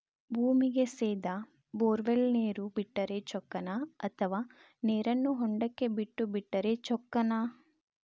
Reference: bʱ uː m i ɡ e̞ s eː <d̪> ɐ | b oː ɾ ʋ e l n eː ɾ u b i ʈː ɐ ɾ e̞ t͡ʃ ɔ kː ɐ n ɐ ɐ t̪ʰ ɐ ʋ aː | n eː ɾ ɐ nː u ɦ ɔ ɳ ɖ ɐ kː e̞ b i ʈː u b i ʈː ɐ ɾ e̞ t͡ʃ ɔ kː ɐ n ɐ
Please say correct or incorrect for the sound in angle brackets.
correct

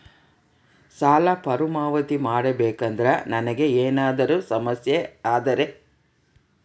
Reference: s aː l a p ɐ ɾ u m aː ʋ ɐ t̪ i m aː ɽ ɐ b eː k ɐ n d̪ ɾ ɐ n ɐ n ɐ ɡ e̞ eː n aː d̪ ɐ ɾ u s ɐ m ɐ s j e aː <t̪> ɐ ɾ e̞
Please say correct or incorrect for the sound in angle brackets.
incorrect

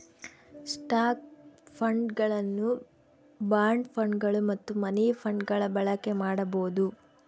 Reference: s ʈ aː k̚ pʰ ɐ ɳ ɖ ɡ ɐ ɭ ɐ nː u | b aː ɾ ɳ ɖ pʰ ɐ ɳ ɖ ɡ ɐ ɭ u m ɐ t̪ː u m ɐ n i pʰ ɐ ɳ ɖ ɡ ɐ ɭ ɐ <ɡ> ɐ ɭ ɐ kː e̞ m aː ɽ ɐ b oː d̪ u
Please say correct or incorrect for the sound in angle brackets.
incorrect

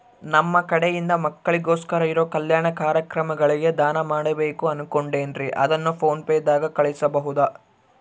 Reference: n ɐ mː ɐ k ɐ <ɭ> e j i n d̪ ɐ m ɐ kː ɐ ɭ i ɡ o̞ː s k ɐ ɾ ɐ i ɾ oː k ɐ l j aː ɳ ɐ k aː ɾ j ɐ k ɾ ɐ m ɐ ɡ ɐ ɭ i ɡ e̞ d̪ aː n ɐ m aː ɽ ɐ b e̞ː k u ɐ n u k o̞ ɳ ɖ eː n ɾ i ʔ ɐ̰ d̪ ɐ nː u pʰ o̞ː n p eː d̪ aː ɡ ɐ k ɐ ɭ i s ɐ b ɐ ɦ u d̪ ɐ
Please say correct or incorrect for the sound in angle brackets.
incorrect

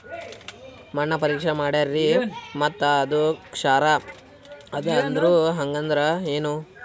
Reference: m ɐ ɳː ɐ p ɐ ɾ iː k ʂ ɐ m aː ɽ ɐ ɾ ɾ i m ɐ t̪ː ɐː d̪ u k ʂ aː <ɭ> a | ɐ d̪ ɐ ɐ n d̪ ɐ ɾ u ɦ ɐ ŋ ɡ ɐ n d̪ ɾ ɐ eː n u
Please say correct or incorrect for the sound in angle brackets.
incorrect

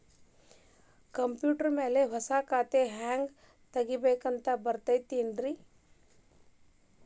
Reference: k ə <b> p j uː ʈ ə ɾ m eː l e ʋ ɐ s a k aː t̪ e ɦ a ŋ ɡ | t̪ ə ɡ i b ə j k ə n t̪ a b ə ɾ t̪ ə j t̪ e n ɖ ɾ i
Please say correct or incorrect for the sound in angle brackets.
incorrect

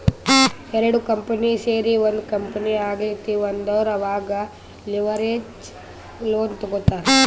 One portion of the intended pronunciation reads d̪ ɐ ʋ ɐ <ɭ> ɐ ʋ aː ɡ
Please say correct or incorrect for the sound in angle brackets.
incorrect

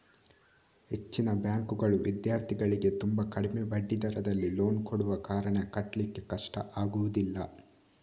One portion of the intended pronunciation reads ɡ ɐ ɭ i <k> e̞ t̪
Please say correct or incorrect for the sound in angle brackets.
incorrect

